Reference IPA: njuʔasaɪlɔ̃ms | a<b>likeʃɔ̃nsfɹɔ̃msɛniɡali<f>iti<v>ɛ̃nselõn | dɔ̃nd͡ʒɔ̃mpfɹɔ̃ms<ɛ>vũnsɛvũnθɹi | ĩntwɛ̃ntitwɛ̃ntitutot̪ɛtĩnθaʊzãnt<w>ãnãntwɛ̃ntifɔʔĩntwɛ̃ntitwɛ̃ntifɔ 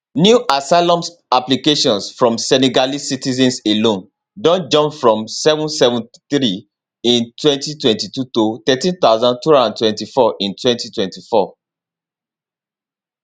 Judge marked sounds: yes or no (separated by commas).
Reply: no, no, no, yes, no